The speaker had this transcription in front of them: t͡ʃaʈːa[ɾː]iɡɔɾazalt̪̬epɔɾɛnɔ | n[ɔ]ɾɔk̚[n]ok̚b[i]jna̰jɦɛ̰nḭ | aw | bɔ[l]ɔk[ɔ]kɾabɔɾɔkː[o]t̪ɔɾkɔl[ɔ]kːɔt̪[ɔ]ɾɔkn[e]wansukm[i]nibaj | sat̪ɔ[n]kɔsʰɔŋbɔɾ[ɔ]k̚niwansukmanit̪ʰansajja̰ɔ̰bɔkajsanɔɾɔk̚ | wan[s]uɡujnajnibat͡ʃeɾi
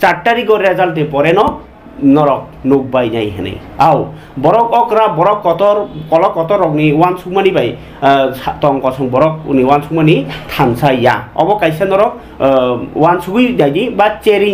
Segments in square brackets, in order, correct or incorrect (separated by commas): incorrect, correct, correct, incorrect, incorrect, correct, incorrect, correct, correct, incorrect, incorrect, incorrect, correct, correct